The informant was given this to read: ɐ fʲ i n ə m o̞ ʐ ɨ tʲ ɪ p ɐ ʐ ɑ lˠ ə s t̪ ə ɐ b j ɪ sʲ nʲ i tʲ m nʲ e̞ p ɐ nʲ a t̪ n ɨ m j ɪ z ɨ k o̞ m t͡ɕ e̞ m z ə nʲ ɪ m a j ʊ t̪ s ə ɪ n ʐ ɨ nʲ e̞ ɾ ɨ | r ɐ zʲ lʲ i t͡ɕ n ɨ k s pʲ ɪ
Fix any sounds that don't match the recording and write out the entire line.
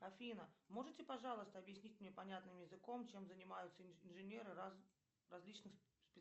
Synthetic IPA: ɐ fʲ i n ə m o̞ ʐ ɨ tʲ ɪ p ɐ ʐ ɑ lˠ ə s t̪ ə ɐ b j ɪ sʲ nʲ i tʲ m nʲ e̞ p ɐ nʲ a t̪ n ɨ m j ɪ z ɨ k o̞ m t͡ɕ e̞ m z ə nʲ ɪ m a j ʊ t̪ s ə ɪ n ʐ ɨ nʲ e̞ ɾ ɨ | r ɐ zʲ lʲ i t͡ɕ n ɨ x s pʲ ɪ